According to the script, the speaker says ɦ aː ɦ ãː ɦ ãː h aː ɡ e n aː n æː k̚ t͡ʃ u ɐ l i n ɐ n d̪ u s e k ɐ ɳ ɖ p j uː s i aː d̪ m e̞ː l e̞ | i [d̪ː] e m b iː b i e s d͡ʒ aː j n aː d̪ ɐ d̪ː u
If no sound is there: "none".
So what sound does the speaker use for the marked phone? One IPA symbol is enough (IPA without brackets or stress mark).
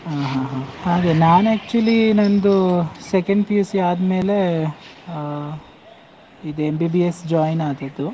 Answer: d̪